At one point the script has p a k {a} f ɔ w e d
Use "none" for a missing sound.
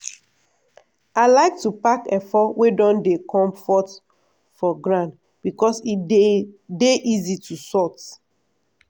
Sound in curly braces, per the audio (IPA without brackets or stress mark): ɛ